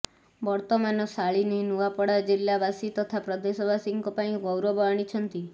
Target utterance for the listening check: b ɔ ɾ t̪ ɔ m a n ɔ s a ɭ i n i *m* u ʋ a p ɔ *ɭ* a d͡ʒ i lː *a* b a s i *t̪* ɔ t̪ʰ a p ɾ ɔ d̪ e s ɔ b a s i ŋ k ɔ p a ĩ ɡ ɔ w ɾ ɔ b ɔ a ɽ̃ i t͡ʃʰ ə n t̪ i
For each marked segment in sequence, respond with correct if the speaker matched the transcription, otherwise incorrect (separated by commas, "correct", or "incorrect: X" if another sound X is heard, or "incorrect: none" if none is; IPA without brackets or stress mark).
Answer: incorrect: n, incorrect: ɽ, correct, correct